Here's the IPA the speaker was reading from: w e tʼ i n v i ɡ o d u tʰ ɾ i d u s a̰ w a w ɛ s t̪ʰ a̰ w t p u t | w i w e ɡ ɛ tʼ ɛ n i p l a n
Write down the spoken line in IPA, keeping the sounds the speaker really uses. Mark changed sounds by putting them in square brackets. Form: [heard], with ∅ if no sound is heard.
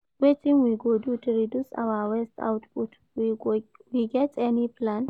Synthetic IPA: w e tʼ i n [w] i ɡ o d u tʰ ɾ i d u s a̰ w a w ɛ s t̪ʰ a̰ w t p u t | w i w [i] ɡ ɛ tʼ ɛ n i p l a n